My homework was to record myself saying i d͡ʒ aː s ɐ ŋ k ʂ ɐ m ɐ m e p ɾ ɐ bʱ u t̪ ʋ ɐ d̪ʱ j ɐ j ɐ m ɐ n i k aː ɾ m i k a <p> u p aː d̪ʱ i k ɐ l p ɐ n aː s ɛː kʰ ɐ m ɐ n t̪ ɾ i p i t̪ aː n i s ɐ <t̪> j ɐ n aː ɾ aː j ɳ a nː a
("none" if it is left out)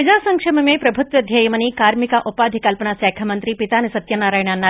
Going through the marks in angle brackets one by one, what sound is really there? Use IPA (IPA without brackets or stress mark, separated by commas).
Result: ʔ, t̪